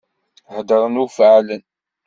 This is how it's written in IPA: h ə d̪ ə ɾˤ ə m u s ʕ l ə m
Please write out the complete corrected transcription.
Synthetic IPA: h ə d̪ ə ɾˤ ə n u f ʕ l ə n

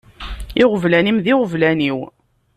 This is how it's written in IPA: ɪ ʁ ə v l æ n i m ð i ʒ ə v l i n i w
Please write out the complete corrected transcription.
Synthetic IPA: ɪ ʁ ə v l æ n i m ð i ʁ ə v l æ n i w

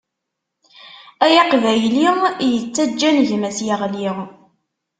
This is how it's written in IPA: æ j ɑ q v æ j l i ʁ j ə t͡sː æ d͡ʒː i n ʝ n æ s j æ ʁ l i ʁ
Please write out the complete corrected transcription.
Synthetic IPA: æ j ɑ q v æ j l i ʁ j ə t͡sː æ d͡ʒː æ n ʝ m æ s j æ ʁ l i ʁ

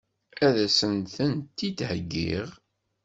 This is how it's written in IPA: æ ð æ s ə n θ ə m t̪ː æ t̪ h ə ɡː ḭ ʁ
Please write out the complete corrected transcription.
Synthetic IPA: æ ð æ s ə n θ ə n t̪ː i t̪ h ə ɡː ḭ ʁ

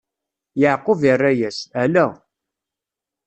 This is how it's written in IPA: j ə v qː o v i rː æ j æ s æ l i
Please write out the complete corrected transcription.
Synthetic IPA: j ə ʕ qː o v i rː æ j æ s æ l æ

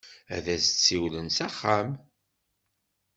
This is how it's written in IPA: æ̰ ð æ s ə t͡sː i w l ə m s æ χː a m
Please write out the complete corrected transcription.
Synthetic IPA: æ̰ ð æ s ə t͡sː i w l ə n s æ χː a m

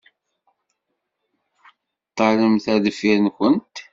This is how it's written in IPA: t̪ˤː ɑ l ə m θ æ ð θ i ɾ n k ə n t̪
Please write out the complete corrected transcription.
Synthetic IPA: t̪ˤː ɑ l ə m θ æ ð f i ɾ n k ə n t̪

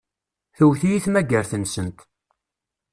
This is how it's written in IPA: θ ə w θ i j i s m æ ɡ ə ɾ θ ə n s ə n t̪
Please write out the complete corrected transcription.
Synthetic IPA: θ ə w θ i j i θ m æ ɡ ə ɾ θ ə n s ə n t̪

